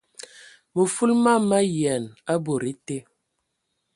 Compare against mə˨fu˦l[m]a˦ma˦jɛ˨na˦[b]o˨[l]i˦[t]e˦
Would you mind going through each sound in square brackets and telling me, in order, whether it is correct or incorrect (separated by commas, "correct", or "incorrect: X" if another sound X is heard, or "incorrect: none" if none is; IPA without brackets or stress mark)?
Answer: correct, correct, incorrect: ɾ, correct